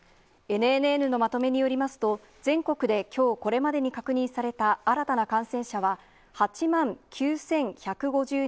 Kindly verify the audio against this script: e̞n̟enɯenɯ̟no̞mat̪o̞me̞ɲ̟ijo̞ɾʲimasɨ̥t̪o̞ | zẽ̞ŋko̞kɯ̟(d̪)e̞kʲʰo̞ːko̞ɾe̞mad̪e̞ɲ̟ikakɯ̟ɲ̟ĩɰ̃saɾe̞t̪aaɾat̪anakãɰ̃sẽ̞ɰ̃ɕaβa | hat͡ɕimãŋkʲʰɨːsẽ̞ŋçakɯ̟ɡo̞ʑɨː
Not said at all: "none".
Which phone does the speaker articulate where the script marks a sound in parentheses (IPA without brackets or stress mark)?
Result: d̪